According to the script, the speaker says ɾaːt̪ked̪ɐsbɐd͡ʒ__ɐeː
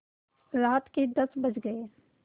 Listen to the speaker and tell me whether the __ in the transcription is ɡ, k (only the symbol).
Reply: ɡ